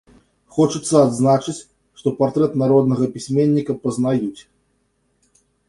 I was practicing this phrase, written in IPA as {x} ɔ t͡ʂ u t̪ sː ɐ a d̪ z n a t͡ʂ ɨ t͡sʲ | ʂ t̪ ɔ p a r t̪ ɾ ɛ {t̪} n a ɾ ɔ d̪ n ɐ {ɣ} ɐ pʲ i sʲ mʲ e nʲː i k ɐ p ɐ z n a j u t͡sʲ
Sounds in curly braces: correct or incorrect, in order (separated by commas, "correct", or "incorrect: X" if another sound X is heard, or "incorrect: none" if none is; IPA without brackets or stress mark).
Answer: correct, correct, correct